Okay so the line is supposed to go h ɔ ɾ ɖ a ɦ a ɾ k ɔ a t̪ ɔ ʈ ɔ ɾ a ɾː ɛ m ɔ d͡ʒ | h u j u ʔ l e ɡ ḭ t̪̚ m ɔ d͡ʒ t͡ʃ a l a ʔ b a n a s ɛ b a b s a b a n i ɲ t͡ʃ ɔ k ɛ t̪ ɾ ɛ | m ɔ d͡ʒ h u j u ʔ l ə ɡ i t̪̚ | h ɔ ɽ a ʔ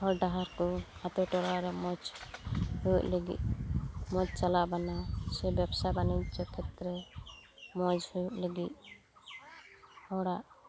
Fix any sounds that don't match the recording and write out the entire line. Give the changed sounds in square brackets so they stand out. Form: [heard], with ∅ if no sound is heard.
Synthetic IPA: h ɔ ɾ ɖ a ɦ a ɾ k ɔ a t̪ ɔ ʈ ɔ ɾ a [ɾ] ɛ m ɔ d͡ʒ | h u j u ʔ l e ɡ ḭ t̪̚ m ɔ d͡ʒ t͡ʃ a l a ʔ b a n a s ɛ b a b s a b a n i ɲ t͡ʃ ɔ [kʰ] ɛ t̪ ɾ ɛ | m ɔ d͡ʒ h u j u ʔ l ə ɡ i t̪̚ | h ɔ ɽ a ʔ